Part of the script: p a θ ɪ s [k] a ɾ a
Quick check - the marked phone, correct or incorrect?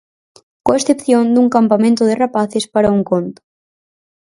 incorrect